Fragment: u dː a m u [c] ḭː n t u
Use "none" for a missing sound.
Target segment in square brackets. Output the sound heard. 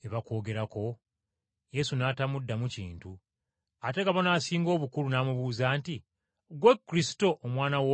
c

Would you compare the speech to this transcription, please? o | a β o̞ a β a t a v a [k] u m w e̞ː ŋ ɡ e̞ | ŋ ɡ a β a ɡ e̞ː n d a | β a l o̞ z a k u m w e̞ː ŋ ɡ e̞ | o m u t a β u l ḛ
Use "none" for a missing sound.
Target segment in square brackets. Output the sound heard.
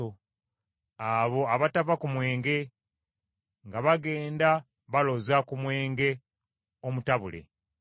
k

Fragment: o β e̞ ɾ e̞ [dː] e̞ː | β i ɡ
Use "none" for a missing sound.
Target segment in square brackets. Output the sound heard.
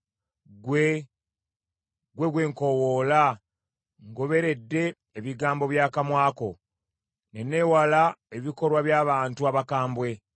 dː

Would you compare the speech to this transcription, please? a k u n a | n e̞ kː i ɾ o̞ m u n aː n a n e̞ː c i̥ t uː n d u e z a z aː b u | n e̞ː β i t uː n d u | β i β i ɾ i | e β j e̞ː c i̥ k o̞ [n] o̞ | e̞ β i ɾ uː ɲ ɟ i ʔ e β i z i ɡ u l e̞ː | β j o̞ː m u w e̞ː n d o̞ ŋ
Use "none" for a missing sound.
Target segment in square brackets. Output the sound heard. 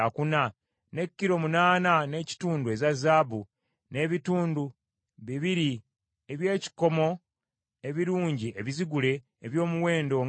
m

